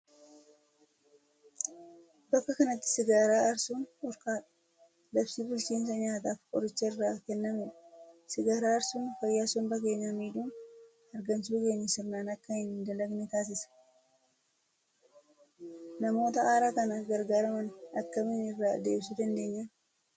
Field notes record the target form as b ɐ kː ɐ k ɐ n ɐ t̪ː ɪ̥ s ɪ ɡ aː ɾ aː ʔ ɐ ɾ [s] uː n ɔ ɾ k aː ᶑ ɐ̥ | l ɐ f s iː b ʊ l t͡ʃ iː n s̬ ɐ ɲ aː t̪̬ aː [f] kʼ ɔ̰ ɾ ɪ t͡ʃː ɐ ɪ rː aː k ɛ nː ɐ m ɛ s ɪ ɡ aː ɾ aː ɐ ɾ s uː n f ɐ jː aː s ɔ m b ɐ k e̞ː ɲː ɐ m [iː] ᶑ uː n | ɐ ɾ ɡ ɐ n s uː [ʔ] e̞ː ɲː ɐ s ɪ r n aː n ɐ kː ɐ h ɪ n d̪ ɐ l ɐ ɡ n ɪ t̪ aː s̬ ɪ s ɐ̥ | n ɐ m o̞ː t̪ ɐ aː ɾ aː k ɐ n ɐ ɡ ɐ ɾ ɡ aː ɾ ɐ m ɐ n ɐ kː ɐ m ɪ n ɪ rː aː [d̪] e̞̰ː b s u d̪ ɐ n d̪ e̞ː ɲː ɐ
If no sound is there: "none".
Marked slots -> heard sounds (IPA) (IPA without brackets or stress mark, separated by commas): s, f, iː, k, d̪